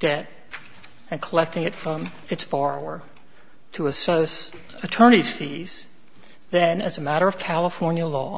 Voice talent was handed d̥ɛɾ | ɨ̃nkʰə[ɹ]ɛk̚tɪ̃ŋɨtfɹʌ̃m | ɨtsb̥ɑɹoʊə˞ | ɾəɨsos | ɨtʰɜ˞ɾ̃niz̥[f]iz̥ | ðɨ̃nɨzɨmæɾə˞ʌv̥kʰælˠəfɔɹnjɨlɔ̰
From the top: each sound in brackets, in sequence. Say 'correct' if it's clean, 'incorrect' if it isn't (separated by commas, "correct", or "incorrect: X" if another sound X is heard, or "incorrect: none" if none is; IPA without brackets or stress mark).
incorrect: l, correct